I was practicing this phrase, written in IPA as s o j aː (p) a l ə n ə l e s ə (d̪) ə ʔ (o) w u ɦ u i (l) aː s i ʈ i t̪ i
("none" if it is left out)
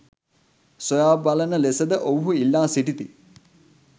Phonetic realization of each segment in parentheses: b, d̪, o, lː

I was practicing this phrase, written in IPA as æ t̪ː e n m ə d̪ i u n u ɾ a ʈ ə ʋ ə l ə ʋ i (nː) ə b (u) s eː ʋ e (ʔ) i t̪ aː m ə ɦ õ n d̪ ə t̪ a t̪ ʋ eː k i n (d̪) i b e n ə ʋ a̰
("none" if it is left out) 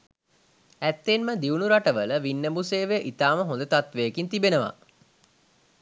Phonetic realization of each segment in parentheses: nː, u, ʔ, t̪

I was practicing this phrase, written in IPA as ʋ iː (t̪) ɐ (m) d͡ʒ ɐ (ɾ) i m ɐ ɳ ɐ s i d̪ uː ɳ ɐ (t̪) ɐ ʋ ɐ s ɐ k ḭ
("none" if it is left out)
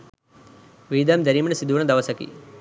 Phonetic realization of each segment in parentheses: d̪, m, ɾ, d̪

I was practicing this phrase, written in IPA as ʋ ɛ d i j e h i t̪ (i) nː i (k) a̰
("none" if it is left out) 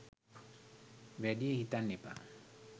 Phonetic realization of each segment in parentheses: a, p

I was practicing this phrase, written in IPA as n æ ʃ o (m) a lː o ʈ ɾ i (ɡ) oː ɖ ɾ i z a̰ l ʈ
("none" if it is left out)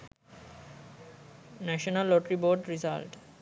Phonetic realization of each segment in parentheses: n, b

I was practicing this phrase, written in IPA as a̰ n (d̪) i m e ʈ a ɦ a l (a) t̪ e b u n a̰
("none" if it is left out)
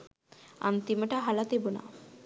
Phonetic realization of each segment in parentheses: t̪, a

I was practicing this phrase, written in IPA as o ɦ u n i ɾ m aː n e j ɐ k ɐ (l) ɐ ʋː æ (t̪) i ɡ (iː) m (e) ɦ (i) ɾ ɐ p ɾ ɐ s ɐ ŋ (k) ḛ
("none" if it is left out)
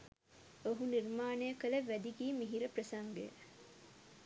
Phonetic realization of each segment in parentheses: l, d̪, iː, i, i, ɡ

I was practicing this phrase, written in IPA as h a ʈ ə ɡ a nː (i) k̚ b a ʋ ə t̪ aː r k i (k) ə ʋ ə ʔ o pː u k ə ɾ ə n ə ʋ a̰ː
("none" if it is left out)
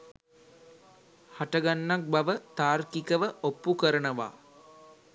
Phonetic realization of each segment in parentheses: a, k

